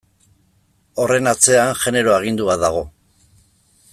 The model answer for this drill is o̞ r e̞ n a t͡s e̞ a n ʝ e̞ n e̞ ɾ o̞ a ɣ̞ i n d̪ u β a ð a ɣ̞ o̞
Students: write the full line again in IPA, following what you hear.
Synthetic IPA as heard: o̞ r e̞ n a t͡s e̞ a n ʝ e̞ n e̞ ɾ o̞ a ɣ̞ i n d̪ u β a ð a ɣ̞ o̞